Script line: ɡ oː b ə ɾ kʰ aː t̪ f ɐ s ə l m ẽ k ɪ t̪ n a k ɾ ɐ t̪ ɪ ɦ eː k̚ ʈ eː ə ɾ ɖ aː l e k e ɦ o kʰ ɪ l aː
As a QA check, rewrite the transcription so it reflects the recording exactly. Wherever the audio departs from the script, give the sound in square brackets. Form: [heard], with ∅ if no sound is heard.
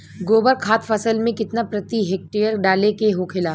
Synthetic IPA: ɡ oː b ə ɾ kʰ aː t̪ f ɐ s ə l m ẽ k ɪ t̪ n a [p] ɾ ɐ t̪ [i] ɦ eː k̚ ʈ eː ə ɾ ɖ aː l e k e ɦ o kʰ ɪ l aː